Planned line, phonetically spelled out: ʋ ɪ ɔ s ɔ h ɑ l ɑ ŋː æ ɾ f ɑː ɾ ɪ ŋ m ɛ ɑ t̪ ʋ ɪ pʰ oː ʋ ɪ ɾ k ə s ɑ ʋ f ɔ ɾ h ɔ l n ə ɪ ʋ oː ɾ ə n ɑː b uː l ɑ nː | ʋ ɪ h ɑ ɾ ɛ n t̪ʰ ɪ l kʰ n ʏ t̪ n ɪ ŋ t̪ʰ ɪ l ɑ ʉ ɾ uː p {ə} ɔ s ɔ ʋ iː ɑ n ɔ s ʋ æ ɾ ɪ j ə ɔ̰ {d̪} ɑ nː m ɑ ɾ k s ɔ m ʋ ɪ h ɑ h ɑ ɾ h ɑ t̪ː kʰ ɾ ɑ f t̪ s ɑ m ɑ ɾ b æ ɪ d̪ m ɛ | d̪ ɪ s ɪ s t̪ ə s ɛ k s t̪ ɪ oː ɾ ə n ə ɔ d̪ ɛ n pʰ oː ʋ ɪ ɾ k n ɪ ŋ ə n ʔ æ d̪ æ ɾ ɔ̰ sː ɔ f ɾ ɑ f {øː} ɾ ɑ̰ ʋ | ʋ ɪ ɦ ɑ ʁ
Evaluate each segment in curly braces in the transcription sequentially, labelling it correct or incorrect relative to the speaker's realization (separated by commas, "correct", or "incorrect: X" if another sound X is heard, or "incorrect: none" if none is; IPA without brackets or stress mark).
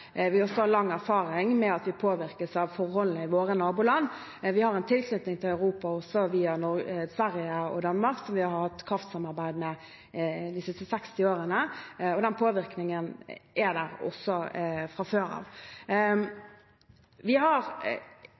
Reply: incorrect: ɑ, correct, correct